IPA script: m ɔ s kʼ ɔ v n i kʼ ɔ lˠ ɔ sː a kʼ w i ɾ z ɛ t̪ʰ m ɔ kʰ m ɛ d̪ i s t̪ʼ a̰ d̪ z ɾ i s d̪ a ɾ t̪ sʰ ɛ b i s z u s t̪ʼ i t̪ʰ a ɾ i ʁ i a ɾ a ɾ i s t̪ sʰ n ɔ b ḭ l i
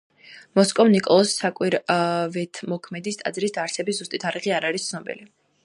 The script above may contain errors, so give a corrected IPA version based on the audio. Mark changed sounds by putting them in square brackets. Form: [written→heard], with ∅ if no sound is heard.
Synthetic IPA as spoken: m ɔ s kʼ ɔ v n i kʼ ɔ lˠ ɔ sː a kʼ w i ɾ [z→v] ɛ t̪ʰ m ɔ kʰ m ɛ d̪ i s t̪ʼ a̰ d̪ z ɾ i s d̪ a ɾ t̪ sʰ ɛ b i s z u s t̪ʼ i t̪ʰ a ɾ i ʁ i a ɾ a ɾ i s t̪ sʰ n ɔ b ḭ l i